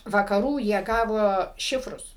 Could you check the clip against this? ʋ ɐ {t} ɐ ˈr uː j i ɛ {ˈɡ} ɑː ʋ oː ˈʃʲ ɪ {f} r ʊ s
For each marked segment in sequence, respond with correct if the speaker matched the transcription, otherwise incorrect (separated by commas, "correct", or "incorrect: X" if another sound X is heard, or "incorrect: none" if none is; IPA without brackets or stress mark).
incorrect: k, correct, correct